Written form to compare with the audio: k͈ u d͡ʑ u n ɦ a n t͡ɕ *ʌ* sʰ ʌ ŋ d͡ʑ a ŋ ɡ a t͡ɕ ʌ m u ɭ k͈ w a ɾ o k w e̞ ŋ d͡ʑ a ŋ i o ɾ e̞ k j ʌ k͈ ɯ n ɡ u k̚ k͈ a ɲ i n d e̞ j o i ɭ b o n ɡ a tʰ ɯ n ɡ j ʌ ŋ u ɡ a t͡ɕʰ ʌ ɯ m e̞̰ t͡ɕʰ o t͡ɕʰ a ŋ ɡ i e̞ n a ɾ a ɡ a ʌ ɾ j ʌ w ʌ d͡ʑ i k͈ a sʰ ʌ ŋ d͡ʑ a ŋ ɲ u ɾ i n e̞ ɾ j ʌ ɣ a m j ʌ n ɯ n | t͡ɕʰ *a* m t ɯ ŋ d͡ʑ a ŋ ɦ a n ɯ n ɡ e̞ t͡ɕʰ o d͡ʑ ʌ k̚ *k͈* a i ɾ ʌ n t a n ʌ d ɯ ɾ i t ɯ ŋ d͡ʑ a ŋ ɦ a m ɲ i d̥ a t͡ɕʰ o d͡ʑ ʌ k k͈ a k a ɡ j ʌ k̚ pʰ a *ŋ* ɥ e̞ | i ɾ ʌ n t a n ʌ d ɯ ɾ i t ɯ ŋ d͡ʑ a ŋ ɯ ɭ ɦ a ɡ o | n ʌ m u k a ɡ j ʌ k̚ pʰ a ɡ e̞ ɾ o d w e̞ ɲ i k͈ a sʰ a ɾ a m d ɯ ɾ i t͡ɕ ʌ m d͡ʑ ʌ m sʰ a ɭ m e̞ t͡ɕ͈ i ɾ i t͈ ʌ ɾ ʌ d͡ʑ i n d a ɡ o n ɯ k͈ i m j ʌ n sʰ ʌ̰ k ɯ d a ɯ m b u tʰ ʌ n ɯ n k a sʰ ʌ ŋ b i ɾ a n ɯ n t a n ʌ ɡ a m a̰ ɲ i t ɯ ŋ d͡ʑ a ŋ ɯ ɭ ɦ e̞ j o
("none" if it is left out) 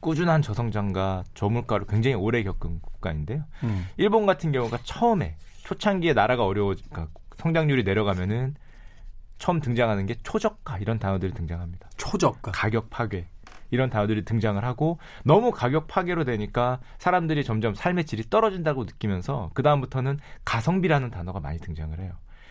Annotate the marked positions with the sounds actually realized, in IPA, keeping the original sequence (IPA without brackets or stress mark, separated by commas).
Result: ʌ, ʌ, k͈, ɡ